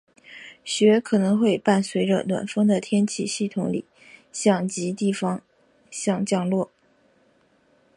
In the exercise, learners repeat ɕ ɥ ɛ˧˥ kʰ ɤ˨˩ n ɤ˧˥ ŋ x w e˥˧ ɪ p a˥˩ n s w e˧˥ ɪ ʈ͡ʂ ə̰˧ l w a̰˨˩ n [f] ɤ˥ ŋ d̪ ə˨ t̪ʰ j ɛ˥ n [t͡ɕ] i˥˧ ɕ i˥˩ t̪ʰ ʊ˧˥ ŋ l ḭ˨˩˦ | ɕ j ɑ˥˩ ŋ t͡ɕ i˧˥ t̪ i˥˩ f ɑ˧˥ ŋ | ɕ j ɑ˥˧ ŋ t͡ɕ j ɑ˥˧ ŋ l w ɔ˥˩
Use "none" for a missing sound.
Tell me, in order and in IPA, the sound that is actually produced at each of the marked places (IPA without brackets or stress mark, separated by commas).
f, t͡ɕʰ